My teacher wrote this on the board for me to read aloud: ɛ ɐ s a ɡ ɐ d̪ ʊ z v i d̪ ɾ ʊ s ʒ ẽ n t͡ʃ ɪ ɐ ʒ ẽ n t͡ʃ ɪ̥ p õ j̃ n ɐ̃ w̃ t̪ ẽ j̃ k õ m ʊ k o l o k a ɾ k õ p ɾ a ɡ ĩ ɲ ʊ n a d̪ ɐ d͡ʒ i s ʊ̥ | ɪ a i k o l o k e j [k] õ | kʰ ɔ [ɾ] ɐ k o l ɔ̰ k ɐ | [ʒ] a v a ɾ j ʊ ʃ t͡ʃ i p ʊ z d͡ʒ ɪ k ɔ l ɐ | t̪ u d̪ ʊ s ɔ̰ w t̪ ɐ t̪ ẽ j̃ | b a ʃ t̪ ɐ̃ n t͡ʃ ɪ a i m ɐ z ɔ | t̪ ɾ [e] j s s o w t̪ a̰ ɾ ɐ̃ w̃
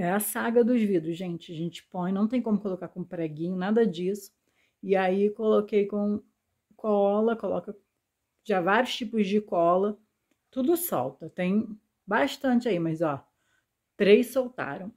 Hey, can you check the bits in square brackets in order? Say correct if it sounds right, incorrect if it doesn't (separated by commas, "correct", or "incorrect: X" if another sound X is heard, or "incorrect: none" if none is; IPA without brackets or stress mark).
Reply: correct, incorrect: l, correct, correct